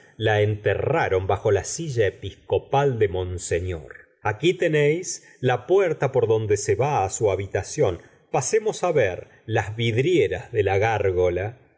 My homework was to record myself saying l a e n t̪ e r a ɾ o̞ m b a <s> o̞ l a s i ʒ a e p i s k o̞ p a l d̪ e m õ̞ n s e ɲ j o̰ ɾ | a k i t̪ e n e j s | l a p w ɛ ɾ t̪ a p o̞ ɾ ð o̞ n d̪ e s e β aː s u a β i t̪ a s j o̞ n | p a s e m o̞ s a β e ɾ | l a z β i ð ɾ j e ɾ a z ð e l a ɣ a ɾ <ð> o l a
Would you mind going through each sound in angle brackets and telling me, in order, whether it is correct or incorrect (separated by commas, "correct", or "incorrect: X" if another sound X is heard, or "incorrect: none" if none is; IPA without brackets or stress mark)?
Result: incorrect: x, incorrect: ɣ